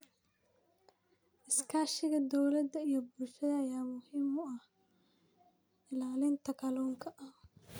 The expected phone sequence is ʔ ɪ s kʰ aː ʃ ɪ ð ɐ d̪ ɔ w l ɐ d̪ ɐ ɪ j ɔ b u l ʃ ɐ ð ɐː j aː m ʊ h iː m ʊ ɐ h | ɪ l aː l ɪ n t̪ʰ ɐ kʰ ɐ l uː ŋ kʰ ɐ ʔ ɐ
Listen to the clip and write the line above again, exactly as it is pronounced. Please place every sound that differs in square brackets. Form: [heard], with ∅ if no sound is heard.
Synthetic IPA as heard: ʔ ɪ s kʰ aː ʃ ɪ [ɣ] ɐ d̪ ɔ w l ɐ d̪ ɐ [i] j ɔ b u l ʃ ɐ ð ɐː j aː m ʊ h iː m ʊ ɐ h | ɪ l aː l ɪ n t̪ʰ ɐ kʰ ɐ l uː ŋ kʰ ɐ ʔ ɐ